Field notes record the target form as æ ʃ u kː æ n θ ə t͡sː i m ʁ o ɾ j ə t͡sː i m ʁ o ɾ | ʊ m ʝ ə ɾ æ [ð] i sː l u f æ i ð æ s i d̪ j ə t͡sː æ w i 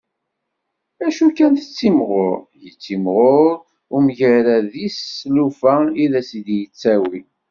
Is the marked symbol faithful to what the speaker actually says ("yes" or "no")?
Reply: yes